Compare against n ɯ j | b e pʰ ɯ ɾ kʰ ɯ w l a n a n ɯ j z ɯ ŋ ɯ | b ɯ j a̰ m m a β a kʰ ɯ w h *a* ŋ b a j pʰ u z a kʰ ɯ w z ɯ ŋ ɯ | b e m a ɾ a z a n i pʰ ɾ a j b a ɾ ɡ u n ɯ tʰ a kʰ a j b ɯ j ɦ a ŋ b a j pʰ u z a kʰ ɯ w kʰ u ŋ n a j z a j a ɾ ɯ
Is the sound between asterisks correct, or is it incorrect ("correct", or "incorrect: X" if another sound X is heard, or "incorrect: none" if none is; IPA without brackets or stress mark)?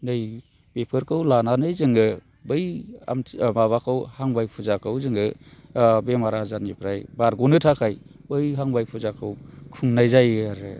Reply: correct